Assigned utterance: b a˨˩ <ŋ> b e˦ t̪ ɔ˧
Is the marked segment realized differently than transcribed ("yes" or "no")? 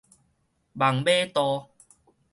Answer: no